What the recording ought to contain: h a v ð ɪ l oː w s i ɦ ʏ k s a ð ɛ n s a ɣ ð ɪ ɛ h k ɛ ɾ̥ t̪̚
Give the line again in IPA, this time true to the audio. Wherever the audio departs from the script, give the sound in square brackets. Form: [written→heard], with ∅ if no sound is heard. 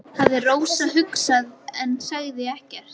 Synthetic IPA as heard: h a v ð ɪ [l→r] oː w s [i→a] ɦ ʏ k s a ð ɛ n s a ɣ ð ɪ ɛ h [k→c] ɛ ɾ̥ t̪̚